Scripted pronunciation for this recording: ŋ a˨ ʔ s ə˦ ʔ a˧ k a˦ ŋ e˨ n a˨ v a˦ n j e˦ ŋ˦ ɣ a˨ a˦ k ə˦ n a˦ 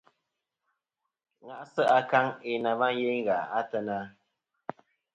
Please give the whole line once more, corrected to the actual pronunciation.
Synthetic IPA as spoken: ŋ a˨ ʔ s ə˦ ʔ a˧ k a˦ ŋ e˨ n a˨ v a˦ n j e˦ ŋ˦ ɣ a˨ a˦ t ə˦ n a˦

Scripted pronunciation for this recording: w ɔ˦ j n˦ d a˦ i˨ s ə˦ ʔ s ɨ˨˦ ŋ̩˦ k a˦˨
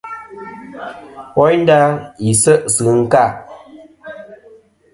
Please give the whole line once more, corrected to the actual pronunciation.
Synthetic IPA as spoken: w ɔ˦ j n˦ d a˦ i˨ s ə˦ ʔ s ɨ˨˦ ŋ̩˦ k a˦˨

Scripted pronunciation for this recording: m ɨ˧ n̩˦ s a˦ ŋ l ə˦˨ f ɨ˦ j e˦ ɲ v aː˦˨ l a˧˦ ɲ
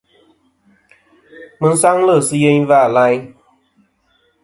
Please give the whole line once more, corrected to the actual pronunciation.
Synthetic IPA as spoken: m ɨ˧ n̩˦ s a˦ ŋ l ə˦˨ s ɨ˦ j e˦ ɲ v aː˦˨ l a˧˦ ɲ

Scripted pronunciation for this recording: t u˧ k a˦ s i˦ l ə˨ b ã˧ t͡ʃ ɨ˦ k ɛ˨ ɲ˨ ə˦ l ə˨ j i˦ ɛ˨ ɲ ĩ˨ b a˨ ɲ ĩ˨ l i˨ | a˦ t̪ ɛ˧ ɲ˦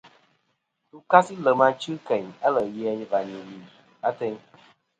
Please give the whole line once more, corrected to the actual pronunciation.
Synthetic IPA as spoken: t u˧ k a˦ s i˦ l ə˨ m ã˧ t͡ʃ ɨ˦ k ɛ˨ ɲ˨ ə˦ l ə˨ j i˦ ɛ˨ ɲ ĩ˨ v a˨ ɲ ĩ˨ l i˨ | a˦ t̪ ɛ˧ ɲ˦

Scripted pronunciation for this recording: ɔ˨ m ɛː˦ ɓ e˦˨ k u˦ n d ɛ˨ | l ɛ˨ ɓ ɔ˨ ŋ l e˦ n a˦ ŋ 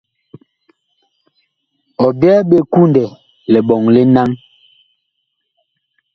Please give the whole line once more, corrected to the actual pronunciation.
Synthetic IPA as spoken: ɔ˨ b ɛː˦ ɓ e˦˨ k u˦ n d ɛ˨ | l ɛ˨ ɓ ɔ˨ ŋ l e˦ n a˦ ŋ

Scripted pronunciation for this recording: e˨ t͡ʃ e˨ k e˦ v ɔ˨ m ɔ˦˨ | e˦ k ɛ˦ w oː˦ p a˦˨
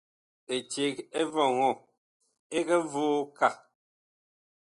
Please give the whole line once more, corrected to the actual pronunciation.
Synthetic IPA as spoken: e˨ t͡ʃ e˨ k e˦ v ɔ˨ ŋ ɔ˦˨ | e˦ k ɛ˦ v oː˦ k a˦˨

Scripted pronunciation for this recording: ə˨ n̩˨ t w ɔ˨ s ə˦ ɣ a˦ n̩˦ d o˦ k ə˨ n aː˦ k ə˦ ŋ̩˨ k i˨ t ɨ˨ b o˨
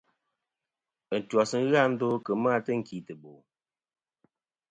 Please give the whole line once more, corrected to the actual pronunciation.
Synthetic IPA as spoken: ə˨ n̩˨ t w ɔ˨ s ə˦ ɣ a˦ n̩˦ d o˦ k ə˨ m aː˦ t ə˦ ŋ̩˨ k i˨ t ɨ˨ b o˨

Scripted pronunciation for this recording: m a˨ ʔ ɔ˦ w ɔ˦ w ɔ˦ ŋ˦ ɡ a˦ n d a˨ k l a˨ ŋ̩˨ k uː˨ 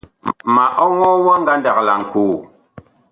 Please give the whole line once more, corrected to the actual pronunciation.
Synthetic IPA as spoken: m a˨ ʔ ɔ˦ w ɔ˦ w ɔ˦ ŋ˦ ɡ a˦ n d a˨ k l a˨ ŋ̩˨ k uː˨

